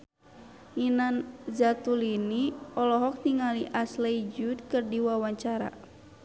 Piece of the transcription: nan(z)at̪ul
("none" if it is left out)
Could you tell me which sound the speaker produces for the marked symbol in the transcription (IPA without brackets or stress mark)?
z